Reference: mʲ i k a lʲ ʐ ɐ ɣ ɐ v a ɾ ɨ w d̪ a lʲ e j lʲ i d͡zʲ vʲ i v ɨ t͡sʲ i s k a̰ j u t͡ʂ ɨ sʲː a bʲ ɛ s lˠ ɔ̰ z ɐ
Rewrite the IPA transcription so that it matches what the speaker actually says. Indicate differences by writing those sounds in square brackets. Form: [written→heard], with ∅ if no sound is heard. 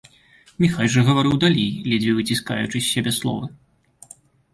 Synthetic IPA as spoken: mʲ i [k→x] a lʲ ʐ ɐ ɣ ɐ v a ɾ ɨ w d̪ a lʲ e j lʲ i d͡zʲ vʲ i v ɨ t͡sʲ i s k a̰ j u t͡ʂ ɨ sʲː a bʲ ɛ s lˠ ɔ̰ [z→v] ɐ